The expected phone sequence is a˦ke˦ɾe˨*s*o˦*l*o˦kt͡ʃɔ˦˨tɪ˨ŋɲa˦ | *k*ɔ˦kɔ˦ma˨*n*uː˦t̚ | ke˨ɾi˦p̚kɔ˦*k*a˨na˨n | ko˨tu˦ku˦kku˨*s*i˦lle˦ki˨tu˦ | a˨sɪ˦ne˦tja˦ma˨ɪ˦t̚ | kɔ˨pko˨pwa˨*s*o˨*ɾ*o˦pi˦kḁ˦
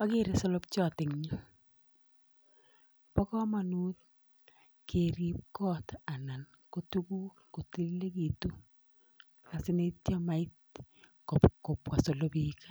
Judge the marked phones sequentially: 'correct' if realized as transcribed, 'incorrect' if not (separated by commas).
correct, correct, incorrect, correct, incorrect, incorrect, correct, incorrect